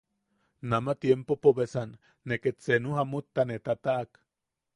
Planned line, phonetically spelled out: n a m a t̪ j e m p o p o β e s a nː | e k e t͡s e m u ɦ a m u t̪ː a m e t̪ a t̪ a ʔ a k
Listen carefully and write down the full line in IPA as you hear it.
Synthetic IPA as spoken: n a m a t̪ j e m p o p o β e s a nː | e k e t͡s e n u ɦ a m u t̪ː a n e t̪ a t̪ a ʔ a k